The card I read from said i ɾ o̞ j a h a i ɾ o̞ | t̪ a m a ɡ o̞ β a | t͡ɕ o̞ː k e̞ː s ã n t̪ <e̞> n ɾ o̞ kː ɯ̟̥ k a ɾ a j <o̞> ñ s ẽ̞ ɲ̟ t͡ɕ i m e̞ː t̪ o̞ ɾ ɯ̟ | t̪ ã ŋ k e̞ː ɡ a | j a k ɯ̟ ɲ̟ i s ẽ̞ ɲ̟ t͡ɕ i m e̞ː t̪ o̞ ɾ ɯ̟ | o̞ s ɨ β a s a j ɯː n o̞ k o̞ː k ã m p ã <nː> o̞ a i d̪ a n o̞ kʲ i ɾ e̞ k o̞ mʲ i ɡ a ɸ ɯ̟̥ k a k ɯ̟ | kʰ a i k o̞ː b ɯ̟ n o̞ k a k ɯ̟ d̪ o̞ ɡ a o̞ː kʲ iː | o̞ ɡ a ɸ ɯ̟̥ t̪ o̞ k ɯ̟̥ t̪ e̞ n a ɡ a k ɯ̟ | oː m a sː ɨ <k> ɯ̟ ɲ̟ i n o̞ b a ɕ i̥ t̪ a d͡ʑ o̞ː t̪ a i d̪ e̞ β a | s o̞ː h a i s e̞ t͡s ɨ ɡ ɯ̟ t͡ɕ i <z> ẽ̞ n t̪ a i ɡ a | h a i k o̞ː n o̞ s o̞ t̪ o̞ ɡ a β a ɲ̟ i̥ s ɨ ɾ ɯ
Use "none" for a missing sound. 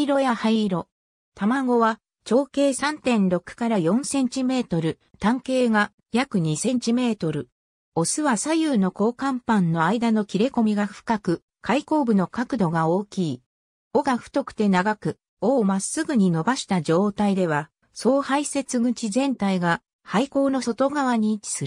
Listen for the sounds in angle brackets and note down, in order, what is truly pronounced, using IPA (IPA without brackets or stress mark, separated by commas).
ẽ̞, õ̞, nː, ɡ, z